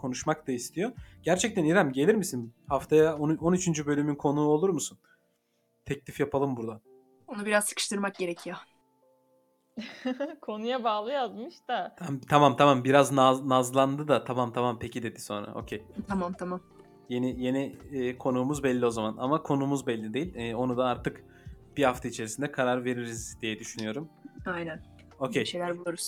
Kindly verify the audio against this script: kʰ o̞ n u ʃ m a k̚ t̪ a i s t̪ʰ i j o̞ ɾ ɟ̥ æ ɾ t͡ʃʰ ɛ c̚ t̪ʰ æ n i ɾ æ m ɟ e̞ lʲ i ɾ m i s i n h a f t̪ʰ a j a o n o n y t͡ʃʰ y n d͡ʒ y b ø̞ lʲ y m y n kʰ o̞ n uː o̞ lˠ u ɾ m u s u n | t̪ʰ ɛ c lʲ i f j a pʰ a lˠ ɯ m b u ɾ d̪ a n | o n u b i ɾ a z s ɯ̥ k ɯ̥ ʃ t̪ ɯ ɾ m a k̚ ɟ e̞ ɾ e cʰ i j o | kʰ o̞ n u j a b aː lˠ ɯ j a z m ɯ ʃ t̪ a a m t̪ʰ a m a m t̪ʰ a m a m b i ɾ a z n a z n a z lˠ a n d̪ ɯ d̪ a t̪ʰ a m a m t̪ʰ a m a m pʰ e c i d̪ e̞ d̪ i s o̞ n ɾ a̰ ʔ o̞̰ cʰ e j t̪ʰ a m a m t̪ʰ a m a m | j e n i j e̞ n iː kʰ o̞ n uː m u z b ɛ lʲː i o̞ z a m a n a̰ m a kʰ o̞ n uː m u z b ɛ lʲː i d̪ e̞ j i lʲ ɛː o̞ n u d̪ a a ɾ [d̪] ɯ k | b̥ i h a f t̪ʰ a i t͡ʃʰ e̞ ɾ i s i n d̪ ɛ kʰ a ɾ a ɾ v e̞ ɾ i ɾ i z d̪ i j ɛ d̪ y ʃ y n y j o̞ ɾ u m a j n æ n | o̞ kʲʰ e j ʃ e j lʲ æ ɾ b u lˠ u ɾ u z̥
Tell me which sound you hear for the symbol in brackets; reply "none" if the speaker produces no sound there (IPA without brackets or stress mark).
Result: t̪